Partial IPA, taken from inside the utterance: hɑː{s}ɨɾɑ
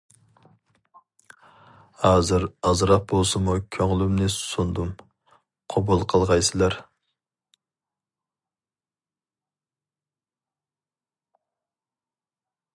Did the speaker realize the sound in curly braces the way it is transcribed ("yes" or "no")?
no